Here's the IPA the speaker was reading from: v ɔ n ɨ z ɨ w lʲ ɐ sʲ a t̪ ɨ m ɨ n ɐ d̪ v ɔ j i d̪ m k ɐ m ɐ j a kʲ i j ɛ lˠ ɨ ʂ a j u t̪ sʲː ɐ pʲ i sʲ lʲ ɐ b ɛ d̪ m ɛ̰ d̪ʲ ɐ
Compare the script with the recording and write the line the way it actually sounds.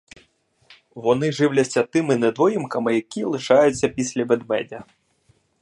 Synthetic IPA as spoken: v ɔ n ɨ ʐ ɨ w lʲ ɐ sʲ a t̪ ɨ m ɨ n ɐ d̪ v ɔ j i m k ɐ m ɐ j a kʲ i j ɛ lˠ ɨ ʂ a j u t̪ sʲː ɐ pʲ i sʲ lʲ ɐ b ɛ d̪ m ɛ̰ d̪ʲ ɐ